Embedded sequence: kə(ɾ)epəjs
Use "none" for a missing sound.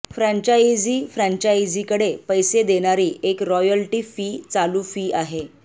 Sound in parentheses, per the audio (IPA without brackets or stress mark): ɽ